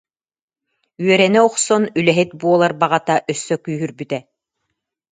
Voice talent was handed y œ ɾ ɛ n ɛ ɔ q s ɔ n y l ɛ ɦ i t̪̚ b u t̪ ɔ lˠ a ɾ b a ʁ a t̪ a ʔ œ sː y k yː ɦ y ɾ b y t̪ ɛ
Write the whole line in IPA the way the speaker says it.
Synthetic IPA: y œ ɾ ɛ n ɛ ɔ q s ɔ n y l ɛ ɦ i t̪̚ b u ɔ lˠ a ɾ b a ʁ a t̪ a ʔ œ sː œ k yː ɦ y ɾ b y t̪ ɛ